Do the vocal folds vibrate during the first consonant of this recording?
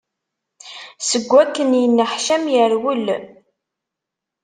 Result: no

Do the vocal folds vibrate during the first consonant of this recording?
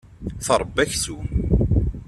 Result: no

